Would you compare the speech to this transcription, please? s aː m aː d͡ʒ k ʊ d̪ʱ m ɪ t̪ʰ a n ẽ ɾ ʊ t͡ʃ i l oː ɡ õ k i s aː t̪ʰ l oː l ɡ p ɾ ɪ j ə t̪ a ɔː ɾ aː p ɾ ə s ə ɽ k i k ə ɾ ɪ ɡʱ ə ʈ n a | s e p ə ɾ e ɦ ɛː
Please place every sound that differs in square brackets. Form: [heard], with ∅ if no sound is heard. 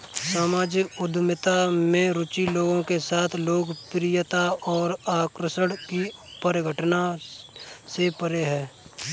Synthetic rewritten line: s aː m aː d͡ʒ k ʊ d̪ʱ m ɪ [t̪] a [m] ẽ ɾ ʊ t͡ʃ i l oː ɡ õ k [e] s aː t̪ʰ l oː [∅] ɡ p ɾ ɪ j ə t̪ a ɔː ɾ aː [k] ɾ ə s ə ɽ k i [p] ə ɾ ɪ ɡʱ ə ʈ n a | s e p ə ɾ e ɦ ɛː